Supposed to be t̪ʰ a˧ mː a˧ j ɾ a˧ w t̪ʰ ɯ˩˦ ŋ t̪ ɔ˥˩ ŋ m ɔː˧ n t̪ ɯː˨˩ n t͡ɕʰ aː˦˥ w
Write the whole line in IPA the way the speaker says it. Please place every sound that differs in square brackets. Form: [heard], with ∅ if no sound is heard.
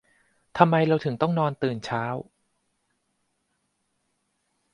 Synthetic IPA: t̪ʰ a˧ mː a˧ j ɾ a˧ w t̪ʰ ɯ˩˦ ŋ t̪ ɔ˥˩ ŋ [n] ɔː˧ n t̪ ɯː˨˩ n t͡ɕʰ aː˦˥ w